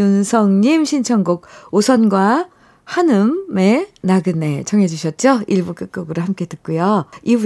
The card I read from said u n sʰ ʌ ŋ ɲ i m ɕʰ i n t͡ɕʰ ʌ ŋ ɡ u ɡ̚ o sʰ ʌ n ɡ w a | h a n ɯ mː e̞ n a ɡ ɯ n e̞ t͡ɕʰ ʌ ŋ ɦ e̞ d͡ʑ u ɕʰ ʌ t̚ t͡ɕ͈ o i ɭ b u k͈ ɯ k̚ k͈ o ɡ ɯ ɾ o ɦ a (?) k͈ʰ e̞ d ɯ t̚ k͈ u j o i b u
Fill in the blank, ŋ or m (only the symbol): m